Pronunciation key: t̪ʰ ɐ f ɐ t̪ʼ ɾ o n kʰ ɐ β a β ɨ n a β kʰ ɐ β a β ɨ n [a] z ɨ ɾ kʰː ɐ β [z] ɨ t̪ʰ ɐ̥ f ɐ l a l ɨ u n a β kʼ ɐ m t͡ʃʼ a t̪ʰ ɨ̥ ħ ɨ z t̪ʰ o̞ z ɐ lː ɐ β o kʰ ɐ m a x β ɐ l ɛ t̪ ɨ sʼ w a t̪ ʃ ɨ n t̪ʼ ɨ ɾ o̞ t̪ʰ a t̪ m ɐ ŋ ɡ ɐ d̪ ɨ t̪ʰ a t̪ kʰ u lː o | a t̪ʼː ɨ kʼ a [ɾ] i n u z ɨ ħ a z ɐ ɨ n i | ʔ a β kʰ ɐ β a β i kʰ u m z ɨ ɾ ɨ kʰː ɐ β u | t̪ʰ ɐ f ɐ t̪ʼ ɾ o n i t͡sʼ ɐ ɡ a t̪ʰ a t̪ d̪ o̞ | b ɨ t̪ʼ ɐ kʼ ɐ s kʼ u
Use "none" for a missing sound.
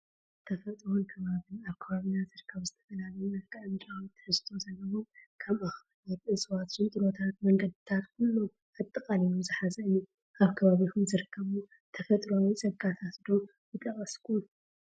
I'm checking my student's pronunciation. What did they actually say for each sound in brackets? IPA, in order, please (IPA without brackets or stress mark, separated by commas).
a, z, l